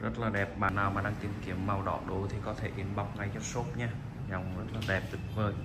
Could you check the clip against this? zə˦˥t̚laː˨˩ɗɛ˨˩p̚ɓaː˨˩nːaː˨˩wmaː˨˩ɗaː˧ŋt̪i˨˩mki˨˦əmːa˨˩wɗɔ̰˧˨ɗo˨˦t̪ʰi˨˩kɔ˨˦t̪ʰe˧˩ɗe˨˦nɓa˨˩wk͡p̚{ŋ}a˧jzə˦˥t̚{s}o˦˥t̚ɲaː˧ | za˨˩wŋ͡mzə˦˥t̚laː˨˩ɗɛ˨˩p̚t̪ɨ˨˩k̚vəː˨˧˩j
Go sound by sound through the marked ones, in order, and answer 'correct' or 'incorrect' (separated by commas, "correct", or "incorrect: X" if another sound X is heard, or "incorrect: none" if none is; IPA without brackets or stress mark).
correct, correct